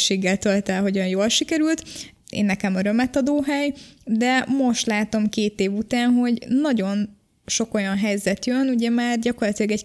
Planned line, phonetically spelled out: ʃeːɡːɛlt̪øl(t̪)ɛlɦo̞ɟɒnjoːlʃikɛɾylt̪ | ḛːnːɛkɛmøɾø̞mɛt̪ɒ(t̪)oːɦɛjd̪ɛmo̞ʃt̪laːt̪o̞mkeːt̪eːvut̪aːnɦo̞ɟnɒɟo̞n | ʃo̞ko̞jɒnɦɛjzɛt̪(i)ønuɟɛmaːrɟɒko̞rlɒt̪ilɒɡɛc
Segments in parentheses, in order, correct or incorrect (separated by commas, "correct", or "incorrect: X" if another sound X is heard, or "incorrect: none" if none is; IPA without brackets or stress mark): correct, incorrect: d̪, incorrect: j